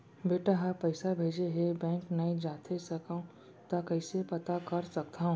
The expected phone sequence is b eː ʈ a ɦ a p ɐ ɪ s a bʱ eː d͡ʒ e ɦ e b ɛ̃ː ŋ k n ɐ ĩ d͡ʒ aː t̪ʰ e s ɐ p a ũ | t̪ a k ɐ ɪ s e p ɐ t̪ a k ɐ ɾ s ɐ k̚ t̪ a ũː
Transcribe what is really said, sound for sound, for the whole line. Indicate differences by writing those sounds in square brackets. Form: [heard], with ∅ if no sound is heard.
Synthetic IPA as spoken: b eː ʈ a ɦ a p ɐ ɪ s a bʱ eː d͡ʒ e ɦ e b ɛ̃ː ŋ k n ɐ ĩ d͡ʒ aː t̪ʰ e s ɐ [k] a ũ | t̪ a k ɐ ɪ s e p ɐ t̪ a k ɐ ɾ s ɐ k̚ t̪ a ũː